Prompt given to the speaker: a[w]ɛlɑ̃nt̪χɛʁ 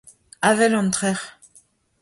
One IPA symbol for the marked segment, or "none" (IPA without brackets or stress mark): v